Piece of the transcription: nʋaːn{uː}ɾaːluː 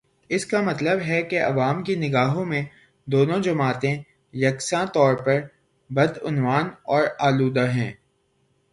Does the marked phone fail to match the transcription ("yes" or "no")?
yes